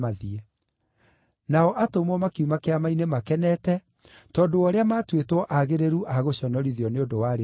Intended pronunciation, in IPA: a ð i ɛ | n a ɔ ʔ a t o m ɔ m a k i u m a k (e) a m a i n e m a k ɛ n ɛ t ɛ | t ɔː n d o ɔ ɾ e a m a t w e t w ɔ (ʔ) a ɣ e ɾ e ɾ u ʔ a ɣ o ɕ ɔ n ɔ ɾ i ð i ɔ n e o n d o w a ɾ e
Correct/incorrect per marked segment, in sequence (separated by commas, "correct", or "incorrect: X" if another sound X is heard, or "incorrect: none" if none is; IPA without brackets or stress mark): correct, correct